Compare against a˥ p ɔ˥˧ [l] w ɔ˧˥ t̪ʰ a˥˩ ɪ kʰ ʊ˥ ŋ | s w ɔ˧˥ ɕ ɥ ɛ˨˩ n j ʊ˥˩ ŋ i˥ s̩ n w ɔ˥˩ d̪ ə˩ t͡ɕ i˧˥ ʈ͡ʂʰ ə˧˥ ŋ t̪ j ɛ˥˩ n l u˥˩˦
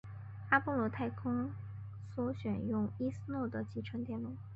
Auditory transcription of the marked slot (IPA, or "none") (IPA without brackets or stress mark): l